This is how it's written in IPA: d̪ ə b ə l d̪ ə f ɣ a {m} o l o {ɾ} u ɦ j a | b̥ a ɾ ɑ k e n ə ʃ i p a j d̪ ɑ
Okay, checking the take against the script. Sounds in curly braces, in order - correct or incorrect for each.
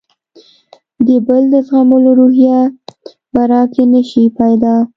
correct, correct

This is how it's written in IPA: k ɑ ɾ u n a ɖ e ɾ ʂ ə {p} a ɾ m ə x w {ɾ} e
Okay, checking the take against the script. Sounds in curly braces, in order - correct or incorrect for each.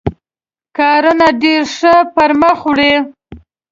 correct, incorrect

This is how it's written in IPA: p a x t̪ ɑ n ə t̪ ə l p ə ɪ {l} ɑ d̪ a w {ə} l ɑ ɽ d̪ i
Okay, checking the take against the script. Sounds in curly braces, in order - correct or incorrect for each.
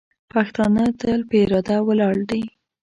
incorrect, correct

